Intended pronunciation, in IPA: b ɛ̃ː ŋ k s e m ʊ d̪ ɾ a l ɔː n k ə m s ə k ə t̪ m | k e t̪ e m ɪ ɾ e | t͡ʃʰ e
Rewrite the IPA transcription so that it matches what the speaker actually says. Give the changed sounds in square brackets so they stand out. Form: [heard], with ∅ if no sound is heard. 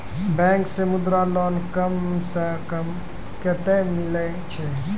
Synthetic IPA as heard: b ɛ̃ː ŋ k s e m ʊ d̪ ɾ a l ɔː n k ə m s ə k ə [∅] m | k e t̪ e m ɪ [l] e | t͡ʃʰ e